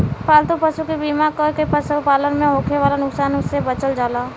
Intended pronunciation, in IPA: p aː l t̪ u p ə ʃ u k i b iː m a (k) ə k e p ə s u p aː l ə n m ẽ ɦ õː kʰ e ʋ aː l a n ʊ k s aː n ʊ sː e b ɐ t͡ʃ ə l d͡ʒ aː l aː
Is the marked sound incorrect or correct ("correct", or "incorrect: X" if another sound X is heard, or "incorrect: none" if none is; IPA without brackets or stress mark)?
correct